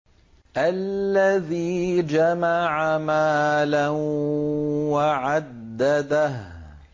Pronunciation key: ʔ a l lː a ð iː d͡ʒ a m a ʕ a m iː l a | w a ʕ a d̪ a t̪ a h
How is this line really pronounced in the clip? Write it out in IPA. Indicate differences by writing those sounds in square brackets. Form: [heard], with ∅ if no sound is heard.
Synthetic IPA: ʔ a l lː a ð iː d͡ʒ a m a ʕ a m [aː] l a | w a ʕ a [d̪ː] a [d̪] a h